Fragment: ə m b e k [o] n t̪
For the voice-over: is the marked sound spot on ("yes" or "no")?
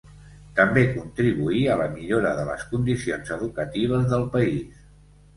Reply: no